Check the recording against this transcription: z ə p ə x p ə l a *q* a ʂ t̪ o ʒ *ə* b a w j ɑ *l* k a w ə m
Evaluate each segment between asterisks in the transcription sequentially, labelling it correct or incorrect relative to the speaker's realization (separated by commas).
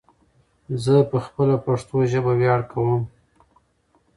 incorrect, correct, incorrect